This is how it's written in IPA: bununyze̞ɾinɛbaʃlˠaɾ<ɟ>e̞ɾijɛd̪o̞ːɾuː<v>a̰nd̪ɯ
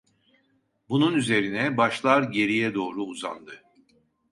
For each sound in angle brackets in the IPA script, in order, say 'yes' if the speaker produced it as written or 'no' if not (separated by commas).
yes, no